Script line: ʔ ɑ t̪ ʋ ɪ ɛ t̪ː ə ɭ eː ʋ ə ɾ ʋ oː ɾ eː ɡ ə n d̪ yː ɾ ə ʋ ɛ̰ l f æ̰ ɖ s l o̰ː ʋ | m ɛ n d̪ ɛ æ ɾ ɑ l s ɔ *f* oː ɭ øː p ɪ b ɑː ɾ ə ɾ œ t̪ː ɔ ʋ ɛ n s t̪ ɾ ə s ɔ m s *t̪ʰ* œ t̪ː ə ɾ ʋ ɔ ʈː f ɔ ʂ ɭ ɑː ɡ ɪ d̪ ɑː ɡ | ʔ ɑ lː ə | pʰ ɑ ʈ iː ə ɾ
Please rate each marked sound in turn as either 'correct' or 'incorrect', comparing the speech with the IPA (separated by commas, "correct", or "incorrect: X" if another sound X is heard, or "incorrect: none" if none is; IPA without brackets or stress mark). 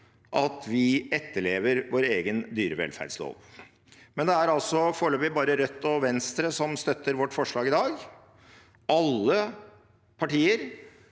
correct, incorrect: t̪